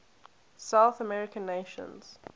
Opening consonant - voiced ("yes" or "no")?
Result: no